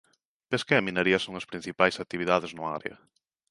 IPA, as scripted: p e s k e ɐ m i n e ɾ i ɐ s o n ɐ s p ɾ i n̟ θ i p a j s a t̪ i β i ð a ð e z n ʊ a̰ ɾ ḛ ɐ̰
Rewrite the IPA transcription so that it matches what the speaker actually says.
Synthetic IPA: p e s k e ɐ m i n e ɾ i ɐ s o ŋ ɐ s p ɾ i n̟ θ i p a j s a t̪ i β i ð a ð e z n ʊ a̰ ɾ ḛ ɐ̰